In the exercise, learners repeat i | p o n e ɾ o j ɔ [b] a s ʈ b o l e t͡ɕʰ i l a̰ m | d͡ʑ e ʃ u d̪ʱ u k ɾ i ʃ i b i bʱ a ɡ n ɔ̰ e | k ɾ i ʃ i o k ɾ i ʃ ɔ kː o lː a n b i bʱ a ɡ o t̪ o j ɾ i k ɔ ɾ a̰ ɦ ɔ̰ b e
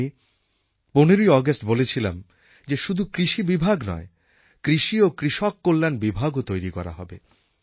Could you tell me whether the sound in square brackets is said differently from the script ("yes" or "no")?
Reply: yes